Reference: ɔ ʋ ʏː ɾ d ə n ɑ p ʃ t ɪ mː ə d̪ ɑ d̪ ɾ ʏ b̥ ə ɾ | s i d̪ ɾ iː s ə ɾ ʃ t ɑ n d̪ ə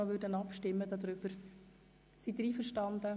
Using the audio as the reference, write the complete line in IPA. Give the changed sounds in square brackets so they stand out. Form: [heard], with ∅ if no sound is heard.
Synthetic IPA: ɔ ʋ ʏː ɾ d ə n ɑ p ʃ t ɪ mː ə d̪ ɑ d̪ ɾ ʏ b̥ ə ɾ | s i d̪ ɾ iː [f] ə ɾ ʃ t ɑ n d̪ ə